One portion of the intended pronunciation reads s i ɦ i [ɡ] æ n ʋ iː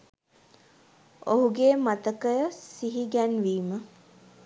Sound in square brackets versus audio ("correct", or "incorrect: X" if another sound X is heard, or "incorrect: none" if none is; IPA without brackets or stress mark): correct